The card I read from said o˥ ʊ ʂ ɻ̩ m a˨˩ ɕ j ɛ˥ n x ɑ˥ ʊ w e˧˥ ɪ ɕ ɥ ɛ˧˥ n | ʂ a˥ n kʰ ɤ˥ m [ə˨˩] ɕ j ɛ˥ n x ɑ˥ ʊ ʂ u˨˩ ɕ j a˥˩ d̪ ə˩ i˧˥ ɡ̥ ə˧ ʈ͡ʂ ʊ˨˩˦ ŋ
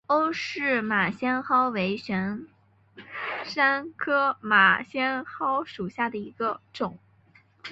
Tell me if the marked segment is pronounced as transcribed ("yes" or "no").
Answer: no